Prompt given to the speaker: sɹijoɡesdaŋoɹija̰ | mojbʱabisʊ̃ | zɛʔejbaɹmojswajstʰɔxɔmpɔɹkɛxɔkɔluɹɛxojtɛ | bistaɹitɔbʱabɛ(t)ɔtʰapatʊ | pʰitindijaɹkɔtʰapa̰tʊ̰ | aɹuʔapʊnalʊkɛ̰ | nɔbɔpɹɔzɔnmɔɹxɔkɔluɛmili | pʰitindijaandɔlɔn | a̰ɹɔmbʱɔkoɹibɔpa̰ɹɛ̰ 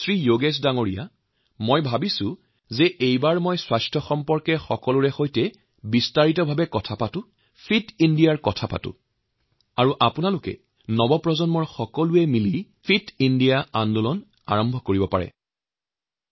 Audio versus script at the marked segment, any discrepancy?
yes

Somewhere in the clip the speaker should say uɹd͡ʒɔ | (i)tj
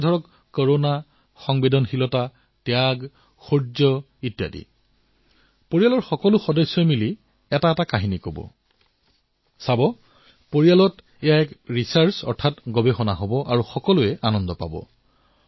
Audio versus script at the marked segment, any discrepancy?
no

